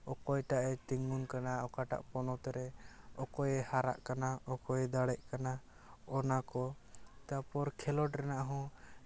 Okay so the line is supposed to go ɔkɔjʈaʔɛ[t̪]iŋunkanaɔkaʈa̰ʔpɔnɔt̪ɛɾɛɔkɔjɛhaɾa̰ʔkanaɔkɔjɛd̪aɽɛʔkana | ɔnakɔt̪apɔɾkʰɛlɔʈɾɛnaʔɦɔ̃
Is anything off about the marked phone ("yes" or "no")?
no